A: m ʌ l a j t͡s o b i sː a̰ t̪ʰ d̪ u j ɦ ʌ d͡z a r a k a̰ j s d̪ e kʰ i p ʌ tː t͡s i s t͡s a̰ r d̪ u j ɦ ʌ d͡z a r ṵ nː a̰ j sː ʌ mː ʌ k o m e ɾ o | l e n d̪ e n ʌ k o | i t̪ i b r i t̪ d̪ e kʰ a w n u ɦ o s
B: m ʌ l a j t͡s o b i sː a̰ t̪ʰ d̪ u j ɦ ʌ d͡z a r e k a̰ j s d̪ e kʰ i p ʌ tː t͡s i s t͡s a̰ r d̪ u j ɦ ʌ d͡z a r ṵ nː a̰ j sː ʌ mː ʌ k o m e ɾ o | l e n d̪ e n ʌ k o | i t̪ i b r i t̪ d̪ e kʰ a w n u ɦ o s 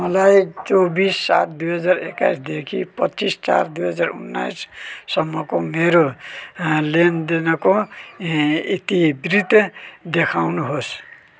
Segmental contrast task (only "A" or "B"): B